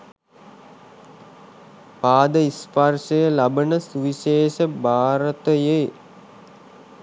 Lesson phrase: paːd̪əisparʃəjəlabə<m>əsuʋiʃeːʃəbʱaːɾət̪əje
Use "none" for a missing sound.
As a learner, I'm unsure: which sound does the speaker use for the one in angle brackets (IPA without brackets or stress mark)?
n